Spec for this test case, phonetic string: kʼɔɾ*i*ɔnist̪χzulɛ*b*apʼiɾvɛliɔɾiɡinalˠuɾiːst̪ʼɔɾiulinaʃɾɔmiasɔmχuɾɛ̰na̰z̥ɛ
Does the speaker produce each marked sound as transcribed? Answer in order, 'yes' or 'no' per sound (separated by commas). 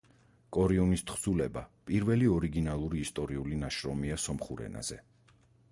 yes, yes